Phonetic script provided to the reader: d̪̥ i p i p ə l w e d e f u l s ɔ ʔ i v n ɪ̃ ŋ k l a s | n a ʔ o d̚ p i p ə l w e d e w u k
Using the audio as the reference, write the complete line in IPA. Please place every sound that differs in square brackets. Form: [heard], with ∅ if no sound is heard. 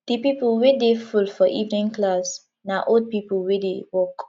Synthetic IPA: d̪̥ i p i p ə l w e d e f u l [f] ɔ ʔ i v n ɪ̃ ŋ k l a s | n a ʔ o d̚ p i p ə l w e d e w [ɔ] k